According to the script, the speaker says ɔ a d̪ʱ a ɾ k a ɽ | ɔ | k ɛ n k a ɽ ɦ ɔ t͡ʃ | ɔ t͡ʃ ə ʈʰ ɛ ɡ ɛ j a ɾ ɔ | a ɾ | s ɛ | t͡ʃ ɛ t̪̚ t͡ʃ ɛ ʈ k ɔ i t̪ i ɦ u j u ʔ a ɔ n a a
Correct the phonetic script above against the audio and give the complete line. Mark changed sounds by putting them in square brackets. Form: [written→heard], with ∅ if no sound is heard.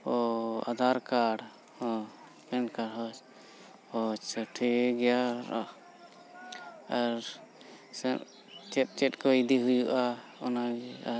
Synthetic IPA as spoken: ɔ a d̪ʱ a ɾ k a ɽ | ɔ | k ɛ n k a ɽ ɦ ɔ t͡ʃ | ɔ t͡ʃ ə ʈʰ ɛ ɡ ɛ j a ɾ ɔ | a ɾ | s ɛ | t͡ʃ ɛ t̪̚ t͡ʃ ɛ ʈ k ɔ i [t̪→d̪] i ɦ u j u ʔ a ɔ n a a